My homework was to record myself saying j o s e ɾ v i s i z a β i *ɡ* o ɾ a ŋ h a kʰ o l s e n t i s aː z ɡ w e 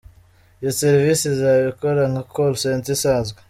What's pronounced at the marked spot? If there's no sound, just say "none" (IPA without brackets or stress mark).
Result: k